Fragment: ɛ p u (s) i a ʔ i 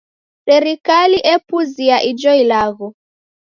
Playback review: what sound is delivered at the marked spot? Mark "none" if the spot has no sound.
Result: z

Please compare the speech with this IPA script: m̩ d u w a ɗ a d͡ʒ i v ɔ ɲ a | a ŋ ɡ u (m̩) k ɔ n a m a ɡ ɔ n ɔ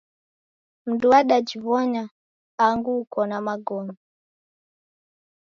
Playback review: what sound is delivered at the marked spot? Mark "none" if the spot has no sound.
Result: none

